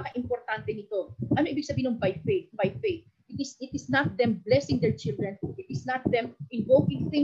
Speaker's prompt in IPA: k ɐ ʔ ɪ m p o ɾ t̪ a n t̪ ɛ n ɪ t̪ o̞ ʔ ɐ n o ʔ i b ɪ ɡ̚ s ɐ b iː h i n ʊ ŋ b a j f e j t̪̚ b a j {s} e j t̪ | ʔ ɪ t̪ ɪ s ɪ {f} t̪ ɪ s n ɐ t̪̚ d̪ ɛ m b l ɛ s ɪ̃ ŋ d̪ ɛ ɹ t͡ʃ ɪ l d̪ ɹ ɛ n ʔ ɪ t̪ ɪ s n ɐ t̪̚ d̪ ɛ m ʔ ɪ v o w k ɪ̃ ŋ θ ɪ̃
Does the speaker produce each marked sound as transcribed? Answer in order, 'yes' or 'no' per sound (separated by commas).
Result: no, no